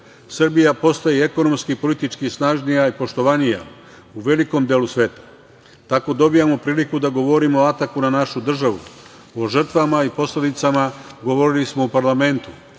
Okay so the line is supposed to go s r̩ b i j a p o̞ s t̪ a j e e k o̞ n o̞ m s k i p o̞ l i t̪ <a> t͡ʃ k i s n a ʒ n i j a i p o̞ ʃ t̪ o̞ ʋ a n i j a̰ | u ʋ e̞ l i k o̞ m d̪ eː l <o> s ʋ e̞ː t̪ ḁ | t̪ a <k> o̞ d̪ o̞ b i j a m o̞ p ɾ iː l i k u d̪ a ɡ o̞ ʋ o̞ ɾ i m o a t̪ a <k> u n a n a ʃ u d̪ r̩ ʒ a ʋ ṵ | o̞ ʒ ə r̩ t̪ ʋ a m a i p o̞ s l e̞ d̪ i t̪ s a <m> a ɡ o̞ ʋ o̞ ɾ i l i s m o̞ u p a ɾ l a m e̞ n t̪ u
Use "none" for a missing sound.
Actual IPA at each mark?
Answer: i, u, k, k, m

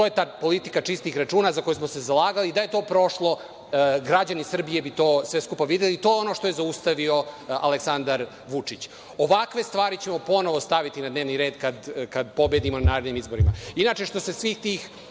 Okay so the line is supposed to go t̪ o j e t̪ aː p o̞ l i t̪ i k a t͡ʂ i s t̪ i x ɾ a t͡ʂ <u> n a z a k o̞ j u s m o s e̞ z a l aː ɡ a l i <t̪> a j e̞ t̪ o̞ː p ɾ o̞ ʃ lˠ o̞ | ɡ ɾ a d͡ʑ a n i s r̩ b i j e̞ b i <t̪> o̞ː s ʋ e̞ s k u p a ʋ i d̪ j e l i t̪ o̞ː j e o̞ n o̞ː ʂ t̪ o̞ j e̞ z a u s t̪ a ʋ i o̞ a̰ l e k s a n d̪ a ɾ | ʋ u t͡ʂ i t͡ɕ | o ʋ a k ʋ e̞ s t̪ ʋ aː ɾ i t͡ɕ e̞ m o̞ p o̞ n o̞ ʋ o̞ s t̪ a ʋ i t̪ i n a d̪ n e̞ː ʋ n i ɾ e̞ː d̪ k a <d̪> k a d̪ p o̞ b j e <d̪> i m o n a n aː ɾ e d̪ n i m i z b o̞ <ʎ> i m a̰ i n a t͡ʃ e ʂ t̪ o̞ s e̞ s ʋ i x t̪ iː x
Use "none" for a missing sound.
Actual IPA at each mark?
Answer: uː, d̪, t̪, d̪, d̪, ɾ

